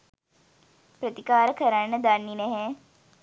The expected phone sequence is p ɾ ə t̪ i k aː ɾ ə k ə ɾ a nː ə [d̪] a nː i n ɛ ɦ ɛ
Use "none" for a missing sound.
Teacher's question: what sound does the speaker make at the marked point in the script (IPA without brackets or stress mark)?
d̪